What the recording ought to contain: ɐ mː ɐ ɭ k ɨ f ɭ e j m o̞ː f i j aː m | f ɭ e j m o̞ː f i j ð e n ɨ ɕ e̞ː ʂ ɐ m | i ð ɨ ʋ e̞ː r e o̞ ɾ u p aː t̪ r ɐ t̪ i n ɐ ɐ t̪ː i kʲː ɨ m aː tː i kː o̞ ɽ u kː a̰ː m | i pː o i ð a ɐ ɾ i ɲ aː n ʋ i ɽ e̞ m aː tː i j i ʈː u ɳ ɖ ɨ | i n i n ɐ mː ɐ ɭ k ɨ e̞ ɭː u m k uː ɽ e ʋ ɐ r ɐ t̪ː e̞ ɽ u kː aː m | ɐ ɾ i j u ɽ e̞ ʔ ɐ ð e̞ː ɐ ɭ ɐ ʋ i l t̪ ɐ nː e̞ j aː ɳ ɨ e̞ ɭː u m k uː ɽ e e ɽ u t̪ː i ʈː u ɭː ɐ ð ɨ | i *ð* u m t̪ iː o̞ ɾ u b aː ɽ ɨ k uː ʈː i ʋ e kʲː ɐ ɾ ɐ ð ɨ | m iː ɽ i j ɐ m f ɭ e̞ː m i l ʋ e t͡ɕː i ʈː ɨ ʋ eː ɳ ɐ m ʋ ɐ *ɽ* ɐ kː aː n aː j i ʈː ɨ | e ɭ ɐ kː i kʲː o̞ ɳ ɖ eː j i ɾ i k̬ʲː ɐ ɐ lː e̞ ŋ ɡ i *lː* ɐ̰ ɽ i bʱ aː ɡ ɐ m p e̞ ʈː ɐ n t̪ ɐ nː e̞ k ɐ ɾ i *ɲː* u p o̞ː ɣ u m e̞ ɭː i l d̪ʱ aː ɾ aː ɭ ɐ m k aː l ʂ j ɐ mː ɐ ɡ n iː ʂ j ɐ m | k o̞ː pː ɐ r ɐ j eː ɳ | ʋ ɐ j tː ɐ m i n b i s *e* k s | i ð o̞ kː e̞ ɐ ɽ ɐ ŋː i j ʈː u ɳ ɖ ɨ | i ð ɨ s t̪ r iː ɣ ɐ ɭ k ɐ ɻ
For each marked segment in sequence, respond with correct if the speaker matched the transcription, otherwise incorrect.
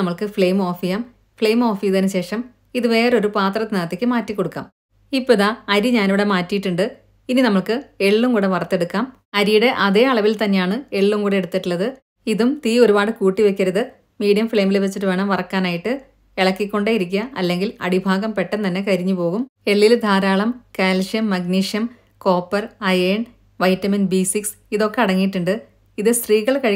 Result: correct, incorrect, incorrect, correct, incorrect

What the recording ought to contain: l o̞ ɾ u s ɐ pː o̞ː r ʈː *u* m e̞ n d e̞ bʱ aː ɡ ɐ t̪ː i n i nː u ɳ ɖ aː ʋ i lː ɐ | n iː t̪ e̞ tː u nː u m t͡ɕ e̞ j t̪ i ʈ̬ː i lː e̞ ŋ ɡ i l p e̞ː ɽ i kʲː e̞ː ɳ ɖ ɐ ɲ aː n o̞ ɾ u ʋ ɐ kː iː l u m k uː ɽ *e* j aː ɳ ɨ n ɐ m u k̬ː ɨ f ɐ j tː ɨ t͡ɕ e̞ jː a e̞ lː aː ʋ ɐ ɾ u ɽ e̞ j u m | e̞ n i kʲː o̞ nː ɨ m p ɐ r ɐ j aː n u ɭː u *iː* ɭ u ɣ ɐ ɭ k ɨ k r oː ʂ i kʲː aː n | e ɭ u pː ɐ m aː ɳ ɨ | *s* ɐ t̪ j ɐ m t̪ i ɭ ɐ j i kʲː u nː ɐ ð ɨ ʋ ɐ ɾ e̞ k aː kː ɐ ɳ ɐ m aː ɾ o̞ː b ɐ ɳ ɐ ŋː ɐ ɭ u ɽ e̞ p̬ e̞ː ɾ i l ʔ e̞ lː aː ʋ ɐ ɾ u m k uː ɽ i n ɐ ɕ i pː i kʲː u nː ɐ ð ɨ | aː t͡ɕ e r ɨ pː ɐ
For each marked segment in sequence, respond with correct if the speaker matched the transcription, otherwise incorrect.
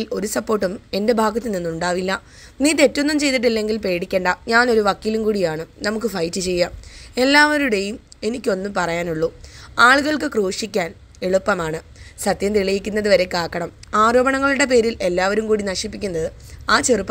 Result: correct, incorrect, incorrect, correct

